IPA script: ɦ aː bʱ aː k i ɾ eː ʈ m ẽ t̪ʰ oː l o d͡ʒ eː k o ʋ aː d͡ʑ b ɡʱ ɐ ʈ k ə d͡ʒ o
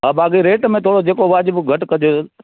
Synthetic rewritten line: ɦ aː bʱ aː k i ɾ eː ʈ m ẽ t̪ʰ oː ɽ o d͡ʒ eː k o ʋ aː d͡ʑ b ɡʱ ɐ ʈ k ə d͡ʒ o

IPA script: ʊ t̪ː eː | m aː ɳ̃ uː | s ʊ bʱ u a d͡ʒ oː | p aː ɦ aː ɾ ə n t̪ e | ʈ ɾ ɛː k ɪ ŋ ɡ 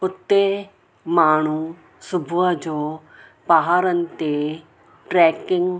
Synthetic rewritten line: ʊ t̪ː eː | m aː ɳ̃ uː | s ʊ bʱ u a d͡ʒ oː | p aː ɦ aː ɾ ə n t̪ e | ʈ ɾ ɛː k ɪ ŋ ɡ

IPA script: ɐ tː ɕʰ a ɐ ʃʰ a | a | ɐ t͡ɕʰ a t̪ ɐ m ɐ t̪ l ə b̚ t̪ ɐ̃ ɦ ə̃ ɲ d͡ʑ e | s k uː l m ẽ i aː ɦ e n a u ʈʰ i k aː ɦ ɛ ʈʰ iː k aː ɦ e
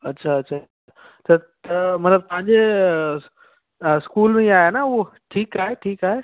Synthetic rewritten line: ɐ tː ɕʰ a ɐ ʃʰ a | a | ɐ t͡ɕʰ a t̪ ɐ m ɐ t̪ l ə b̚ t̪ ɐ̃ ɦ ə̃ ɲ d͡ʑ e | s k uː l m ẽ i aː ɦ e n a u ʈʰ iː k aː ɦ e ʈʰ iː k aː ɦ e

